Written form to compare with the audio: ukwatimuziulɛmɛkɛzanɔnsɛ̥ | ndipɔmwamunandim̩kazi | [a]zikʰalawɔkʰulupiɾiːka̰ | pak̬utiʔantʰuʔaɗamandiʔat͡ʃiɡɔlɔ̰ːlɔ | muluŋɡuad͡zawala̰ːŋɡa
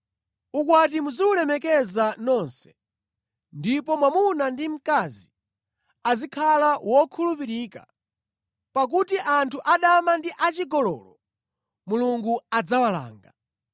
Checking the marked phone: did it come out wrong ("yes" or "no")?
no